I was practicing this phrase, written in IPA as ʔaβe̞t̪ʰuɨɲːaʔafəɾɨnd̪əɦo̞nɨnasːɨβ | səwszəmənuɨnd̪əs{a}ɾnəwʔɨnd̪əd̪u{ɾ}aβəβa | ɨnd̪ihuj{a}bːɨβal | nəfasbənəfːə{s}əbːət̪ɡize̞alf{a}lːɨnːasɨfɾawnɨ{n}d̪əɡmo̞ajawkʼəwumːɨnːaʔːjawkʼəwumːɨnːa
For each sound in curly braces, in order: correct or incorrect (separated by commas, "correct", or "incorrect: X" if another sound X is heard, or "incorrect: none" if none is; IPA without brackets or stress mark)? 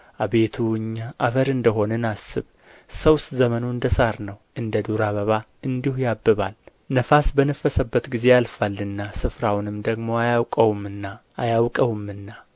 correct, correct, correct, correct, correct, incorrect: m